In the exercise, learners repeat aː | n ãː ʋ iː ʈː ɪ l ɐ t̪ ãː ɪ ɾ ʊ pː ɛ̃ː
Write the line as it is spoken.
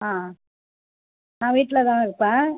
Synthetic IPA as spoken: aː | n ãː ʋ iː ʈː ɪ l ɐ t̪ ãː ɪ ɾ ɯ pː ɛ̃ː